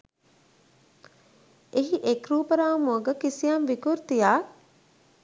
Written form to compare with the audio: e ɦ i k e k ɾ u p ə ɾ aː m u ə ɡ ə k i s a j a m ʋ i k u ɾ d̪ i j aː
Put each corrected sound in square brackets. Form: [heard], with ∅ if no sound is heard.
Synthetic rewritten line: e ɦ i [ʔ] e k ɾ [uː] p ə ɾ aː m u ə ɡ ə k i s [i] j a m ʋ i k u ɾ [t̪] i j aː

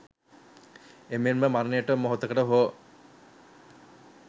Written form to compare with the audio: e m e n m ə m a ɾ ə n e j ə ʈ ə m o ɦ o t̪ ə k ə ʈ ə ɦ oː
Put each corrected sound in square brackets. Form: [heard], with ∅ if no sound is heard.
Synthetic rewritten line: e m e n m ə m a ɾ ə n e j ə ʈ ə m o ɦ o t̪ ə k ə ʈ ə ɦ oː

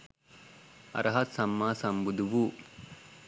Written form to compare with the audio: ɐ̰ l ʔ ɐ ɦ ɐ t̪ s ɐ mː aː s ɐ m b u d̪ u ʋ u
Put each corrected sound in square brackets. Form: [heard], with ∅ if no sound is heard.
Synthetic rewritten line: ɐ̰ [ɾ] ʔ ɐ ɦ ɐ t̪ s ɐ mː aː s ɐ m b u d̪ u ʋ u

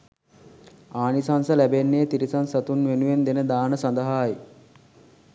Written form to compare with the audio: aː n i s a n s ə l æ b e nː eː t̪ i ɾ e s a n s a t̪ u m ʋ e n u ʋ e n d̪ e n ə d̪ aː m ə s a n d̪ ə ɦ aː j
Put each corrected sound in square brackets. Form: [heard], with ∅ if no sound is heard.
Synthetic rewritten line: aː n i s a n s ə l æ b e nː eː t̪ i ɾ [i] s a n s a t̪ u [n] ʋ e n u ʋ e n d̪ e n ə d̪ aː [n] ə s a n d̪ ə ɦ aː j

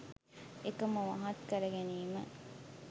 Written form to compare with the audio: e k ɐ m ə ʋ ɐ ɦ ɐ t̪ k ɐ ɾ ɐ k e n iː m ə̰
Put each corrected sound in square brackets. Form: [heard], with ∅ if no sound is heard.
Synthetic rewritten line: e k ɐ m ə ʋ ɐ ɦ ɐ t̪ k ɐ ɾ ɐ [ɡ] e n iː m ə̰

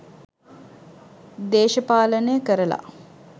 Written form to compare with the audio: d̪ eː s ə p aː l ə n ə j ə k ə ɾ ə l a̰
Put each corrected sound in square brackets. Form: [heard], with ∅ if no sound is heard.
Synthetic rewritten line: d̪ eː [ʃ] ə p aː l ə n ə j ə k ə ɾ ə l a̰

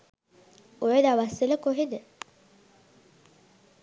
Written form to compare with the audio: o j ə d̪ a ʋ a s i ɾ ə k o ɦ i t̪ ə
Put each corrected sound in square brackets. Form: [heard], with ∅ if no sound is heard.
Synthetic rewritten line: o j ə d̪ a ʋ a s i [l] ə k o ɦ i [d̪] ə

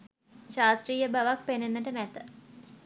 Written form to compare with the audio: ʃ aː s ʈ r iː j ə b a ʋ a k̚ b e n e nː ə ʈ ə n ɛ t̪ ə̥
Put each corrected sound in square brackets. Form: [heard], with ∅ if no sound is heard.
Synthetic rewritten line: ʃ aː s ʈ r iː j ə b a ʋ a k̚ [p] e n e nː ə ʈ ə n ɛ t̪ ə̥

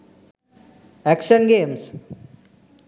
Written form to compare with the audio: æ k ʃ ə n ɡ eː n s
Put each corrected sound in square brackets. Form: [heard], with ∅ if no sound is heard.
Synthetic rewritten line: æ k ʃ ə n ɡ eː [m] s

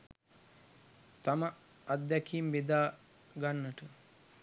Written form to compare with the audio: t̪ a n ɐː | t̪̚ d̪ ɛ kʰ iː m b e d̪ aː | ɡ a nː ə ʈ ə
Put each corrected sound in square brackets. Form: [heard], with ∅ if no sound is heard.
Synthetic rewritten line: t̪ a [m] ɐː | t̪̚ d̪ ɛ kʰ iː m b e d̪ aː | ɡ a nː ə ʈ ə

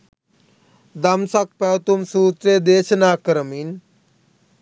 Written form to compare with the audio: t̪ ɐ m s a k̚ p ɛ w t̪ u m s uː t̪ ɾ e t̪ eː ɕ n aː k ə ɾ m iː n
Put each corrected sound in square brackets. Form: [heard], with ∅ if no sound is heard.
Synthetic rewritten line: [d̪] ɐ m s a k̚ p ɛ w t̪ u m s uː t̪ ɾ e [d̪] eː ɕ n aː k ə ɾ m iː n

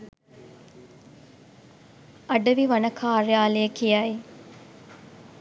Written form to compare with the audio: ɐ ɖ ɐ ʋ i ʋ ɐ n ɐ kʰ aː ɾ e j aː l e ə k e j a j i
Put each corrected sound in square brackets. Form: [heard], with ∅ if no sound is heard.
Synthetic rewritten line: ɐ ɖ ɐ ʋ i ʋ ɐ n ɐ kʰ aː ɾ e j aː l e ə k [i] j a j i

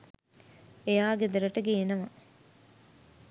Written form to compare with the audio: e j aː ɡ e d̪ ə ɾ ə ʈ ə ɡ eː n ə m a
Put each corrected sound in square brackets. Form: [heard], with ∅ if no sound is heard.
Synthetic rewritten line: e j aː ɡ e d̪ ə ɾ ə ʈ ə ɡ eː n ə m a

